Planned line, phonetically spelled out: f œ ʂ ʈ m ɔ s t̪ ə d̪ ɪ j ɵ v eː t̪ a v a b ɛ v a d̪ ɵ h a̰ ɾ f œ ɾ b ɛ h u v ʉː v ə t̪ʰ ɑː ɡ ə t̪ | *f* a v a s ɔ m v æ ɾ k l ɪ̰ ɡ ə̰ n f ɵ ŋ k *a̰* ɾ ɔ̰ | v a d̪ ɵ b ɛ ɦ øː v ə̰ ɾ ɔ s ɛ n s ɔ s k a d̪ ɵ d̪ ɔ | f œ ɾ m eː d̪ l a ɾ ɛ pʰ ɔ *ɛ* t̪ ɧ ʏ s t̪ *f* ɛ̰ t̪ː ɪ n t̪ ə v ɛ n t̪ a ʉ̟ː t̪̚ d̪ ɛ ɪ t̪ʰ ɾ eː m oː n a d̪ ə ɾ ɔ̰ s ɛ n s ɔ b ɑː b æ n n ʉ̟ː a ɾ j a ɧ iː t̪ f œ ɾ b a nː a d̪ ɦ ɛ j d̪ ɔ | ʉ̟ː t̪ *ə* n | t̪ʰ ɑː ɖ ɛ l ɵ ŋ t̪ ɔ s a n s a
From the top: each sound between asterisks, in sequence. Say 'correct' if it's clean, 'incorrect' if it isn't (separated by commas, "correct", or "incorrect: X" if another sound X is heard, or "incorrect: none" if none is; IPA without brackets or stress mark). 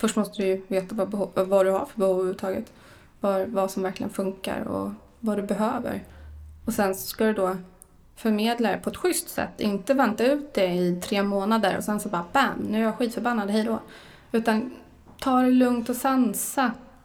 incorrect: v, correct, correct, incorrect: s, incorrect: a